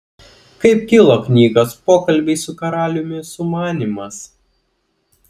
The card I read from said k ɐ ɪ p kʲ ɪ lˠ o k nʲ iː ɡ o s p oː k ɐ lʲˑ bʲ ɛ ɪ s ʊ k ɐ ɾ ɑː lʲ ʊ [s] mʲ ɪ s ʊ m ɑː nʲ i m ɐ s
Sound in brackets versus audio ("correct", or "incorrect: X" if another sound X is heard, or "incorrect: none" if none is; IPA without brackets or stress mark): incorrect: none